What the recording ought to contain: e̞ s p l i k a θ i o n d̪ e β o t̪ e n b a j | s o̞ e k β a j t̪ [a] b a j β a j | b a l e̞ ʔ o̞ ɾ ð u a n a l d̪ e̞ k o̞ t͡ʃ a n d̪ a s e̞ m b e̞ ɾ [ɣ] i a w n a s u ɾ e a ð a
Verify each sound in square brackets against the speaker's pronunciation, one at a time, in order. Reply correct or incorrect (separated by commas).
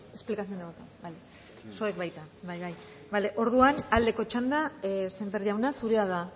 correct, incorrect